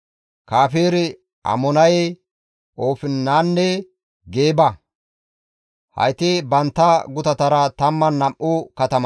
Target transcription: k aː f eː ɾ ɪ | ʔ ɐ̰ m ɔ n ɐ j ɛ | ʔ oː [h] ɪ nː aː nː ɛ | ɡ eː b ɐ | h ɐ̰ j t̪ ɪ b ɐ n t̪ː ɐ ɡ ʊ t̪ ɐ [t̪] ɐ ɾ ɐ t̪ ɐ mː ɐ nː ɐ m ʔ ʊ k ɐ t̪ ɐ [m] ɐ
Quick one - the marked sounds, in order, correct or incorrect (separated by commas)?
incorrect, correct, correct